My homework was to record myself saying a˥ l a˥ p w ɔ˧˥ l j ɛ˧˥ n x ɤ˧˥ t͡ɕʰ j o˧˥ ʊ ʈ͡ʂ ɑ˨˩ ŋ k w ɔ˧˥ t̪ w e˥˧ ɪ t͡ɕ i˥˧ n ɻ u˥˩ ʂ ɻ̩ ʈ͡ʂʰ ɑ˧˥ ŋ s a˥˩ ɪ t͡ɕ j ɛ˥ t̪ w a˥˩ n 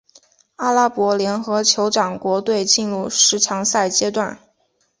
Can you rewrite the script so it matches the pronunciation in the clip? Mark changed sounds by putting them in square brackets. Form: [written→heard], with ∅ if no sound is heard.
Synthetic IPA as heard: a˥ l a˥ p w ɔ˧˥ l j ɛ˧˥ n x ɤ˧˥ t͡ɕʰ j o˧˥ ʊ ʈ͡ʂ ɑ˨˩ ŋ k w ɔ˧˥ t̪ w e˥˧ ɪ t͡ɕ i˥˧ n ɻ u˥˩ ʂ ɻ̩ ʈ͡ʂʰ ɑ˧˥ ŋ s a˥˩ ɪ t͡ɕ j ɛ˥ t̪ w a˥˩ n